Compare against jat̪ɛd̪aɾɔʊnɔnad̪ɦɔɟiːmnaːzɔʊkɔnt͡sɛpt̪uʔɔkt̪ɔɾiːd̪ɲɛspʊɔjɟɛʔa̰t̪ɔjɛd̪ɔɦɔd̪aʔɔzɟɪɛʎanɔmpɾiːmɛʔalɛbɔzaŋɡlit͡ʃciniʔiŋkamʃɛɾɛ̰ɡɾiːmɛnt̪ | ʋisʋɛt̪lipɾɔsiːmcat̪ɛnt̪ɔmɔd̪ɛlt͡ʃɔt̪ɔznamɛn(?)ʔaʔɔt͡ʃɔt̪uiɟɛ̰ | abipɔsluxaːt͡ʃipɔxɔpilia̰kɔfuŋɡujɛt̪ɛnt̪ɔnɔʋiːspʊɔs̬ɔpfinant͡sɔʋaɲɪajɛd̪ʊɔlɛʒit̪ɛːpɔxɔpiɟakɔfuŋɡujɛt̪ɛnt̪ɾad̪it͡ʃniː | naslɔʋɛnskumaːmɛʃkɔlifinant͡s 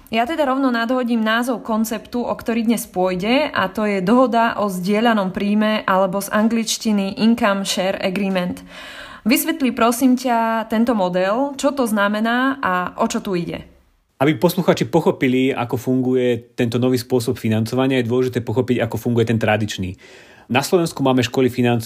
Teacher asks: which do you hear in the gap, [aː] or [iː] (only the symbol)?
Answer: aː